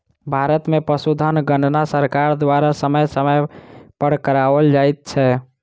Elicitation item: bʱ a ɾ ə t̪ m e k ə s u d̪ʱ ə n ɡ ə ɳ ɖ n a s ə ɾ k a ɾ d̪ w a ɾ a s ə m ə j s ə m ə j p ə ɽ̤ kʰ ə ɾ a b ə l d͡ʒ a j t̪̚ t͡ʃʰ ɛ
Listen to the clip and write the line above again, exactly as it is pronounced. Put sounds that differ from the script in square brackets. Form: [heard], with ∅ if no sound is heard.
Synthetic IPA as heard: bʱ a ɾ ə t̪ m e [p] ə s u d̪ʱ ə n ɡ ə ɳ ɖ n a s ə ɾ k a ɾ d̪ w a ɾ a s ə m ə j s ə m ə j p ə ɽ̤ [k] ə ɾ a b ə l d͡ʒ a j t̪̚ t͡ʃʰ ɛ